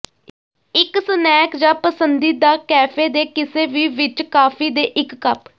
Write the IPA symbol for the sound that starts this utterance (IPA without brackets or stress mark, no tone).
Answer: ɪ